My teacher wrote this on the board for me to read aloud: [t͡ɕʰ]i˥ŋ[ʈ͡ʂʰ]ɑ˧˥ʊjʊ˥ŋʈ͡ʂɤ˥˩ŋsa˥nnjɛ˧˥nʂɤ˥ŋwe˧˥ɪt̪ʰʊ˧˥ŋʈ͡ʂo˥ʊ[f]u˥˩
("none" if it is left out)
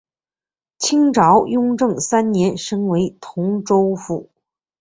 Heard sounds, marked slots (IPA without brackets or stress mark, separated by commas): t͡ɕʰ, ʈ͡ʂ, f